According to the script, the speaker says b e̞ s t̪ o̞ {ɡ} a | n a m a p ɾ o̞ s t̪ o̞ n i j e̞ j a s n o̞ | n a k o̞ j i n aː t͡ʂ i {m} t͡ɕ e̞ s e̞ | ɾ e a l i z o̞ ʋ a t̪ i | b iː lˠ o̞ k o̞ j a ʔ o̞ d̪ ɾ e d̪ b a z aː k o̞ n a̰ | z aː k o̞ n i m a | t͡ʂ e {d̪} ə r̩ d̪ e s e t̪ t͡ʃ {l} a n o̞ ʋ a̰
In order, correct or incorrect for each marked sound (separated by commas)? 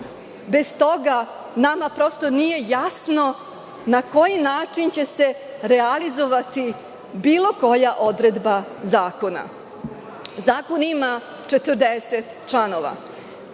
correct, incorrect, incorrect, correct